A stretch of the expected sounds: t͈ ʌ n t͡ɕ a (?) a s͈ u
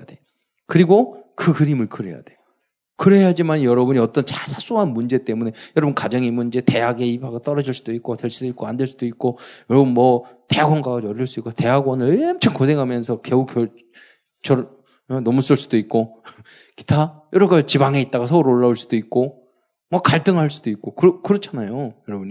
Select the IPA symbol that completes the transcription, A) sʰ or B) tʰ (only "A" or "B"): A